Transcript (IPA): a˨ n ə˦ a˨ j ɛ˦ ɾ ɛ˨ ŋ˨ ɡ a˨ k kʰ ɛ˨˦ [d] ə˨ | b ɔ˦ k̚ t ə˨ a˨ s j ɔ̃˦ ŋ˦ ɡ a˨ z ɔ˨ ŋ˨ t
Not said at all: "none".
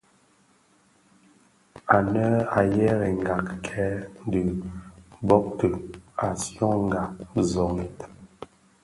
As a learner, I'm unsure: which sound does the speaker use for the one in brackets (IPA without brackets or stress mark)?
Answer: d